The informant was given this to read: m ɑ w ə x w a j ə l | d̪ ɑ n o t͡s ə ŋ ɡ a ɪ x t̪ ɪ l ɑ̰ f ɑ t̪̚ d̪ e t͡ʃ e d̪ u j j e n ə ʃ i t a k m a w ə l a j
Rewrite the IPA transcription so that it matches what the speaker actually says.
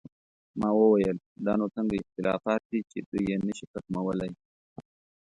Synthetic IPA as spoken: m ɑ w ə w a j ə l | d̪ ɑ n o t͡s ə ŋ ɡ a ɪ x t̪ ɪ l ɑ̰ f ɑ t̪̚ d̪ i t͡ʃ e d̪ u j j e n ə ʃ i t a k m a w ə l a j